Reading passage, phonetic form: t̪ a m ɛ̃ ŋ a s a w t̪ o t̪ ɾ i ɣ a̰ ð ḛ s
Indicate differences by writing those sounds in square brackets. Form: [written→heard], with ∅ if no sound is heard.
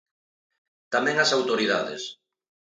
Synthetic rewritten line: t̪ a m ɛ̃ ŋ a s a w t̪ o [t̪→∅] ɾ i [ɣ→ð] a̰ ð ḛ s